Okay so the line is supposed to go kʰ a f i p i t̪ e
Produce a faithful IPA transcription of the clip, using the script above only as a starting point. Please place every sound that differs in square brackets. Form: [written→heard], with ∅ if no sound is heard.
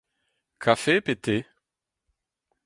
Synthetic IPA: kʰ a f [i→e] p [i→e] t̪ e